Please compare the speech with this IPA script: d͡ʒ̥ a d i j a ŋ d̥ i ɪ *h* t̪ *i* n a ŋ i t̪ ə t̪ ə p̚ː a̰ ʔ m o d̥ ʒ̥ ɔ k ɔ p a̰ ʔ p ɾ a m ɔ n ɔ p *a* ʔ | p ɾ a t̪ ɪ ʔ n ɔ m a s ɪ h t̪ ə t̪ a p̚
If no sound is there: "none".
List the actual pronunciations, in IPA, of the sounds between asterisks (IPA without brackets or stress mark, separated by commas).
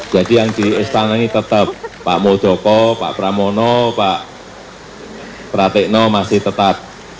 s, a, a